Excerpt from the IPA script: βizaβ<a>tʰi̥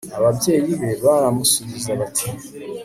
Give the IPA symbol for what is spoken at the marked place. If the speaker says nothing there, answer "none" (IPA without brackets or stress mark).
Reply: a